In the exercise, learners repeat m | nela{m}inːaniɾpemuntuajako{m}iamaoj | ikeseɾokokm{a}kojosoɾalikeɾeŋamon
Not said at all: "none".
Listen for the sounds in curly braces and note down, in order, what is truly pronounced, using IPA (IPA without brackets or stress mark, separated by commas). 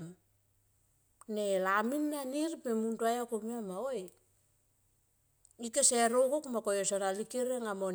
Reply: m, m, a